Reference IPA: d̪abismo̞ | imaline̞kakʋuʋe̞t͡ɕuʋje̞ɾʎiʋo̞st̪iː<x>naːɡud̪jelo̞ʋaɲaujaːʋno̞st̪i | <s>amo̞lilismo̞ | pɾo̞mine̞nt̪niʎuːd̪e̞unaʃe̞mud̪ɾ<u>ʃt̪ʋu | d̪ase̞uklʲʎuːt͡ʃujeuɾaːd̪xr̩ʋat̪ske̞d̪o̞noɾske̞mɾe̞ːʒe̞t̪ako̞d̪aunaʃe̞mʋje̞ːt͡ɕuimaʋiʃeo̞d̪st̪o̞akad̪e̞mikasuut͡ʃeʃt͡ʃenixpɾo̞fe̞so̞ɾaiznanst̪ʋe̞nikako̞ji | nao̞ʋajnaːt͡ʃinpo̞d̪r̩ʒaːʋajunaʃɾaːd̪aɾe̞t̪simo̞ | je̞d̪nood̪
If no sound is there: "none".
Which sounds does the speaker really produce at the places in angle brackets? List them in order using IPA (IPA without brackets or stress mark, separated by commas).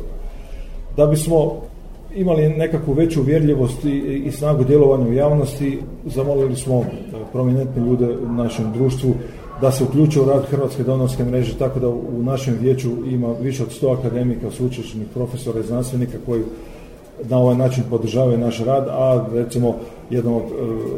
s, z, uː